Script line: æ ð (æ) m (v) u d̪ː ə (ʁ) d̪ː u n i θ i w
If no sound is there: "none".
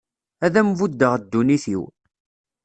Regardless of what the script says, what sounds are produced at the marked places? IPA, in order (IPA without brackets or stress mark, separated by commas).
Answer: æ, v, ʁ